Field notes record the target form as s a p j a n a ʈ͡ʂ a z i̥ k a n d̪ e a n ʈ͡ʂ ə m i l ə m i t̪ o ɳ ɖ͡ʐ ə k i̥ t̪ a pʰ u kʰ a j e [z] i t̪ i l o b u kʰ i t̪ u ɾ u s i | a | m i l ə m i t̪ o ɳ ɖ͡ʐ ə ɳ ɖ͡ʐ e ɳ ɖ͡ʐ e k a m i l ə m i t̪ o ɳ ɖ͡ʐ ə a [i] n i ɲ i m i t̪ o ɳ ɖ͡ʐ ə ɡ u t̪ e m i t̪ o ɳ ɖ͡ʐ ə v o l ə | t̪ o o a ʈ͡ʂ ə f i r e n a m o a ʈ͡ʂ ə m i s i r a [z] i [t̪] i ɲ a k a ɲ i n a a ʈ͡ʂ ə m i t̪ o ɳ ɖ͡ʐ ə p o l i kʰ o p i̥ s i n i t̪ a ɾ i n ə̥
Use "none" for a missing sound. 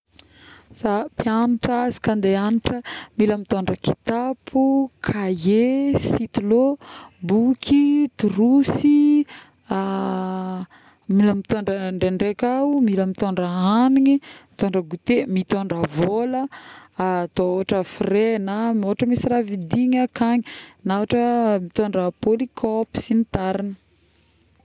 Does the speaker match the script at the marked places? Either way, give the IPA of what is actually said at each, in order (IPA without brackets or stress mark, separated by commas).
s, a, v, d̪